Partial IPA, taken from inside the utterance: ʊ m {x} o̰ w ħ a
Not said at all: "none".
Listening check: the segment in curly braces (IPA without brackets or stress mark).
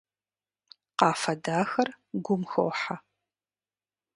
x